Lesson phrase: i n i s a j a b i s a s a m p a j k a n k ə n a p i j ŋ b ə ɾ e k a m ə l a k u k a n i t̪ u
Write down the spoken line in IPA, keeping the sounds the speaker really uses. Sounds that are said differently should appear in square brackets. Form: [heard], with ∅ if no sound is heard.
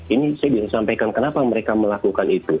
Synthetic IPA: i n i s a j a b i s a s a m p a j k a n k ə n a p [a] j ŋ [m] ə ɾ e k a m ə l a k u k a n i t̪ u